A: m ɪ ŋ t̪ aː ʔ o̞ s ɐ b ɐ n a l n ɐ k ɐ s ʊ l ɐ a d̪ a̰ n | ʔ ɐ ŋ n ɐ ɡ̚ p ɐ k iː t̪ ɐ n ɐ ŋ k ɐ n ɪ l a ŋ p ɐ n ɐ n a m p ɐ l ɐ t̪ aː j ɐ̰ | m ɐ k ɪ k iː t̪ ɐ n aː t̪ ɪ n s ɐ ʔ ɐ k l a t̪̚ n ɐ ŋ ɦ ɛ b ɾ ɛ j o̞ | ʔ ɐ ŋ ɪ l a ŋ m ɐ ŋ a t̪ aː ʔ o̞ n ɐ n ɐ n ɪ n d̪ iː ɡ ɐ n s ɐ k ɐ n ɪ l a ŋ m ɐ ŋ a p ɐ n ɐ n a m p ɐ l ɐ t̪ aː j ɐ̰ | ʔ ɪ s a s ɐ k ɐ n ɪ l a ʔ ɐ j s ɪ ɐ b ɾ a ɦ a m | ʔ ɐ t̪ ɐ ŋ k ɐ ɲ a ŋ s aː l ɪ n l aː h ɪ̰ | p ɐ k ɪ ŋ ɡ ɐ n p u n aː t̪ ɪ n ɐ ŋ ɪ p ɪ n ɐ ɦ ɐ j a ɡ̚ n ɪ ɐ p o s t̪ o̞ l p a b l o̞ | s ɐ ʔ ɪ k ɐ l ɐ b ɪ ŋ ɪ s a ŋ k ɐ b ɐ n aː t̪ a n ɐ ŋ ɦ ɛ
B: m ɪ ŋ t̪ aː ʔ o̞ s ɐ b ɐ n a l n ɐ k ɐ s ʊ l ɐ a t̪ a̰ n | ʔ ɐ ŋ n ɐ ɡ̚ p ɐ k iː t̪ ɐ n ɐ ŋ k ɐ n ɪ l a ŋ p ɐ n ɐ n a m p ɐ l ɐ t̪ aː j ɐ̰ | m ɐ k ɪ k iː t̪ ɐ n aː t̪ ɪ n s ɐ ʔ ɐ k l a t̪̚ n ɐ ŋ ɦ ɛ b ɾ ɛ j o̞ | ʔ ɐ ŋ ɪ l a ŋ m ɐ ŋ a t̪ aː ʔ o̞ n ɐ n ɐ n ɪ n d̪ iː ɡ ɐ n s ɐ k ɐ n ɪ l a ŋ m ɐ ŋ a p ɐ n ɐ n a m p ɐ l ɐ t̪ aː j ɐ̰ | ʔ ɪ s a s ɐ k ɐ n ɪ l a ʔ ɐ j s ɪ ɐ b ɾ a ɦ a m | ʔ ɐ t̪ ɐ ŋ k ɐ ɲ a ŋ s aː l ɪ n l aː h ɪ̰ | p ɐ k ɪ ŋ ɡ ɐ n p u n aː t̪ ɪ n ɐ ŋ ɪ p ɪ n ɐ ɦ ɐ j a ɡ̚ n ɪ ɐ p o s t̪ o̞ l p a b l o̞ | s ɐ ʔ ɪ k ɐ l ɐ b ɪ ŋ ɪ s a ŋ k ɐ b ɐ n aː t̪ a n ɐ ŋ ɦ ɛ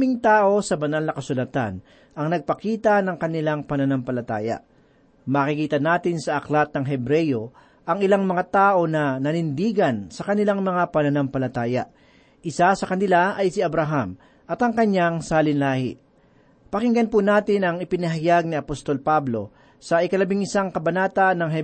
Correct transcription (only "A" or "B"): B